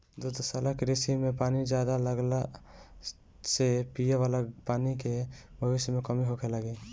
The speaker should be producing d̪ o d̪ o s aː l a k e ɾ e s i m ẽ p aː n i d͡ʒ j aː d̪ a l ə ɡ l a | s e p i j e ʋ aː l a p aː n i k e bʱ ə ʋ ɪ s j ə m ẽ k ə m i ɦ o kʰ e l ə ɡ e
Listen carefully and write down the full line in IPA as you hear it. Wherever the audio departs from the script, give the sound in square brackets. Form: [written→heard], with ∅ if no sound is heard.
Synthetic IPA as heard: d̪ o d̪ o s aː l a k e ɾ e s i m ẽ p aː n i d͡ʒ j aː d̪ a l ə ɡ l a | s e p i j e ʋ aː l a p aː n i k e bʱ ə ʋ ɪ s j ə m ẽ k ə m i ɦ o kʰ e l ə ɡ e